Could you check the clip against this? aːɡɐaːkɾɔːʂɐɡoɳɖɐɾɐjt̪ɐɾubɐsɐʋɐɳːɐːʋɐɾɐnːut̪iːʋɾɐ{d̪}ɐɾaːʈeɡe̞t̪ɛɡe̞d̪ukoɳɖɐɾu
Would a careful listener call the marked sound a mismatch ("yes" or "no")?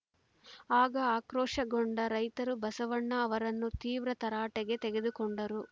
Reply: yes